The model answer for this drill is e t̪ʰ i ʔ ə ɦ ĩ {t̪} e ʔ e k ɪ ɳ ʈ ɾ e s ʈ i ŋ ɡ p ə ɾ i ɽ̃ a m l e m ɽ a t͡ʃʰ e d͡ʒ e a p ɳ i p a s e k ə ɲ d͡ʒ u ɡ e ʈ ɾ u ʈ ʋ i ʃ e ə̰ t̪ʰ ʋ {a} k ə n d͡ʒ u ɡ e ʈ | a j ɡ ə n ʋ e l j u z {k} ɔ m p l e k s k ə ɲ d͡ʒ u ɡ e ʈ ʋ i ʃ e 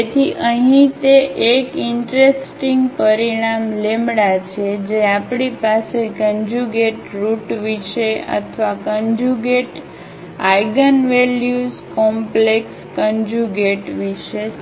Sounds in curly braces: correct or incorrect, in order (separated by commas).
correct, correct, correct